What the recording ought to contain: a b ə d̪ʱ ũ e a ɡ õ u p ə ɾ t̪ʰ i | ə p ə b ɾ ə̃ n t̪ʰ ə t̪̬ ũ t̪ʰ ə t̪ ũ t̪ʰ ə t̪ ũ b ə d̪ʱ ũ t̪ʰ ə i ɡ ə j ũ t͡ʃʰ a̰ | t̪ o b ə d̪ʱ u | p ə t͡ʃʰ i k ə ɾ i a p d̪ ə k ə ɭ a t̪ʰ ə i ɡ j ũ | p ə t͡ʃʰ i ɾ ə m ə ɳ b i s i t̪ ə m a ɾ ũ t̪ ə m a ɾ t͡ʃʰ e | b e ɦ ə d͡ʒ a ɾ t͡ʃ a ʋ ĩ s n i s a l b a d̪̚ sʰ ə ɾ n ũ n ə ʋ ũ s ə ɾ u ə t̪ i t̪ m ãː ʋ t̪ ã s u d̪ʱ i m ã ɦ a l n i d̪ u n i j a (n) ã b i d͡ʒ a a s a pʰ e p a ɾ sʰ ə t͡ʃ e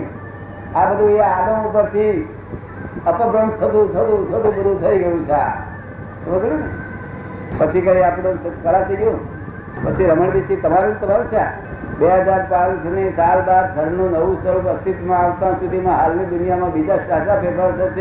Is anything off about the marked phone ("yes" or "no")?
yes